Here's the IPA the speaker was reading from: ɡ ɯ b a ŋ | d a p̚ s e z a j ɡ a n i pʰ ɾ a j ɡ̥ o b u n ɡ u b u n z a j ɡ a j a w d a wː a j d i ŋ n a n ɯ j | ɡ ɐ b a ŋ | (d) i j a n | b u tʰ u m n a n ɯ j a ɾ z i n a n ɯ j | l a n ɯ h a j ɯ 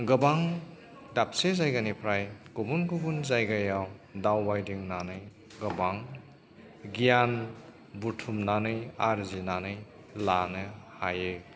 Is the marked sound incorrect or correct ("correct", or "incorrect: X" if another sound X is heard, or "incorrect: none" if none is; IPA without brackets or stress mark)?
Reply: incorrect: ɡ